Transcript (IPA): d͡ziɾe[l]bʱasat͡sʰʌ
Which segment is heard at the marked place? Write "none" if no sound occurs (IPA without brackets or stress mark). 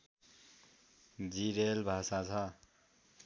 l